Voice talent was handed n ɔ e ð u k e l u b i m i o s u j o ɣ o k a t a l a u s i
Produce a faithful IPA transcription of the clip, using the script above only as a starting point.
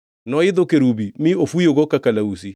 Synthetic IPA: n ɔ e ð o k e ɾ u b i m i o f u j o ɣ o k a k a l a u s i